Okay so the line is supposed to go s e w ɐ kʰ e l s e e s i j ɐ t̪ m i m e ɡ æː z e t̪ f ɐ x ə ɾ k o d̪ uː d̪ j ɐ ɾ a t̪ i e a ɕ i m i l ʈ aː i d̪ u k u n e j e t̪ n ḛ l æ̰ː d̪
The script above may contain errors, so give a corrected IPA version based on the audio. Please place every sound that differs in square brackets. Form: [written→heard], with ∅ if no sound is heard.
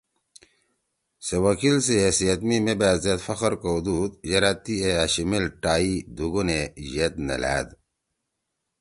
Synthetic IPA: s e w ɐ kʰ [e→i] l s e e s i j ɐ t̪ m i m e [ɡ→b] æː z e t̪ f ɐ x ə ɾ k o d̪ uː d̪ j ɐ ɾ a t̪ i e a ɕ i m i l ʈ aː i d̪ u [k→ɡ] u n e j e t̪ n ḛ l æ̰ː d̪